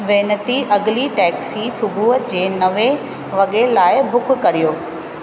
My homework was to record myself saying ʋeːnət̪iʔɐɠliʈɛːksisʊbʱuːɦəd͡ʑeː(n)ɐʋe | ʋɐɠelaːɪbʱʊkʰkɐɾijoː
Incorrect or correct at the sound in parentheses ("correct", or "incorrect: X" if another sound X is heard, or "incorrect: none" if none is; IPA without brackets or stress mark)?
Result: correct